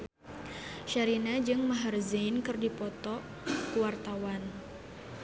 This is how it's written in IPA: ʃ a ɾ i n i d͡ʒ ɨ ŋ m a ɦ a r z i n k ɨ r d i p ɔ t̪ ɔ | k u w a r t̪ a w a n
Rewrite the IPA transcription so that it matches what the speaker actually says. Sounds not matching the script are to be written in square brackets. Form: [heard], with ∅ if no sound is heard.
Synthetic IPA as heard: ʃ a ɾ i n [a] d͡ʒ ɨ ŋ m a ɦ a r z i n k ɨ r d i p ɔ t̪ ɔ | k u w a r t̪ a w a n